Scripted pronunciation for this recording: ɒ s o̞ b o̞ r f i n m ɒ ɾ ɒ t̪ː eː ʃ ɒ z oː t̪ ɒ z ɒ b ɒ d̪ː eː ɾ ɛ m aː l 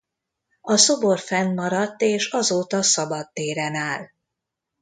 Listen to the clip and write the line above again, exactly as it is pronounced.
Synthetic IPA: ɒ s o̞ b o̞ r f ɛ n m ɒ ɾ ɒ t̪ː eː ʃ ɒ z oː t̪ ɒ s ɒ b ɒ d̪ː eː ɾ ɛ n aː l